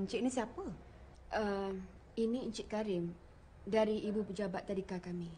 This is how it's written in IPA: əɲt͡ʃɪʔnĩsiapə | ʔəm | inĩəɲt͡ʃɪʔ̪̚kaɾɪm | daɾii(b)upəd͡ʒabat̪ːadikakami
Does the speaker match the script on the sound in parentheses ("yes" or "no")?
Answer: yes